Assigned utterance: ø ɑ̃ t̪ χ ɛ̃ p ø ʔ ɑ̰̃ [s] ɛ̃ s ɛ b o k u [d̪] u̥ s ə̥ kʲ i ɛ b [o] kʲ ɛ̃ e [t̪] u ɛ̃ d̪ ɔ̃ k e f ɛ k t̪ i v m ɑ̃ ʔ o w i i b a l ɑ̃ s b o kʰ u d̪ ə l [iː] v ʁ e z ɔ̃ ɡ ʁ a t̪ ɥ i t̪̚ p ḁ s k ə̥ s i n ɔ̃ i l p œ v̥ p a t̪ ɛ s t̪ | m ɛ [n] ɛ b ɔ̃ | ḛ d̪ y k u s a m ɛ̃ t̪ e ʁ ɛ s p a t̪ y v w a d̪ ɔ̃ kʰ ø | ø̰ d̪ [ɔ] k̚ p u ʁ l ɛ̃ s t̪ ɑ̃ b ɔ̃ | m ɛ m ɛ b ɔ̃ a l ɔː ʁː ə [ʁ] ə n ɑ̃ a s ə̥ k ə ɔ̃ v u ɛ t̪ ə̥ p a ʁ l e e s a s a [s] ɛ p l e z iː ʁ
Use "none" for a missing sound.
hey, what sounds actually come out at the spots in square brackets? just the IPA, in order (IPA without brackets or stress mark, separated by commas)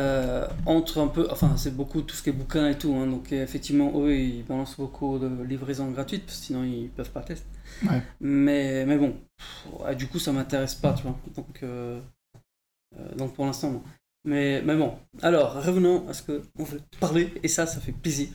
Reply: f, t̪, u, t̪, i, m, ɔ̃, v, f